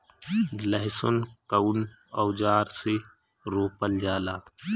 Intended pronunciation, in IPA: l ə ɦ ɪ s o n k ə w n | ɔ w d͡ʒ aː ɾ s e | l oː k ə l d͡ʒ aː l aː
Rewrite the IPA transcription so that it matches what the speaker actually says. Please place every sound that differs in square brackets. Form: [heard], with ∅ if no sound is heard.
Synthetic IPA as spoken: l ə ɦ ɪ s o n k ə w n | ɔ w d͡ʒ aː ɾ s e | [ɾ] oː [p] ə l d͡ʒ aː l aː